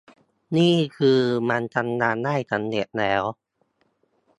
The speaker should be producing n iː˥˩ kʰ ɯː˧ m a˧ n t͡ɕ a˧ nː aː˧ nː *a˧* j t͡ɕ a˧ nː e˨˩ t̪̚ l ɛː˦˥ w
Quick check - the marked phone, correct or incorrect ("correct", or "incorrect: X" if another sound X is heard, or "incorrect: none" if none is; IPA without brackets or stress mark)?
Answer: incorrect: a˥˩